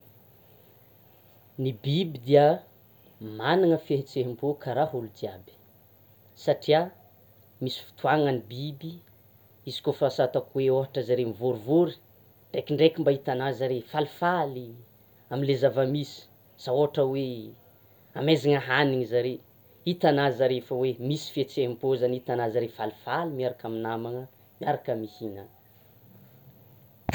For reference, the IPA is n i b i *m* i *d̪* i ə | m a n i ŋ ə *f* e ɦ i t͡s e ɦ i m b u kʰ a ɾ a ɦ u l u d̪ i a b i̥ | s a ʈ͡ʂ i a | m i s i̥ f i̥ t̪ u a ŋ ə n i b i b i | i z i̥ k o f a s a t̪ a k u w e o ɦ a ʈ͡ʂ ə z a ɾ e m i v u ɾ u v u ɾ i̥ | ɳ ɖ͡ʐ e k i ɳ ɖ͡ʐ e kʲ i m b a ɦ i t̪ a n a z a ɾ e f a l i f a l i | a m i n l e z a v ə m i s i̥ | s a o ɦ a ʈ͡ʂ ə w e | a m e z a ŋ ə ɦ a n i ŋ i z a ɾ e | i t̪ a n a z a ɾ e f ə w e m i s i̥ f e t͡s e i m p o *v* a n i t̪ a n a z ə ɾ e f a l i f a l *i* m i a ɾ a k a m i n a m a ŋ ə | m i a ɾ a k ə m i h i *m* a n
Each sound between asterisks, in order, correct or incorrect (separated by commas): incorrect, correct, correct, incorrect, correct, incorrect